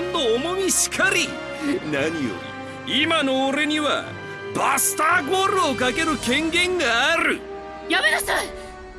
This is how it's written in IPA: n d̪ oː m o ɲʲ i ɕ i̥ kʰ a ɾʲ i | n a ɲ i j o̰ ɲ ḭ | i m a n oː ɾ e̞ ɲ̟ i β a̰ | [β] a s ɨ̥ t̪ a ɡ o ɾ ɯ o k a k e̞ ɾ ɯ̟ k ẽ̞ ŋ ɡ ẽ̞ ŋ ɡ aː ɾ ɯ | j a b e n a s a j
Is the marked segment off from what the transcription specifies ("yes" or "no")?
yes